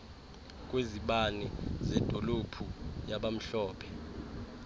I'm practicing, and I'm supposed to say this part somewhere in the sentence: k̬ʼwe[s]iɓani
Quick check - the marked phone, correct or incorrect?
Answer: incorrect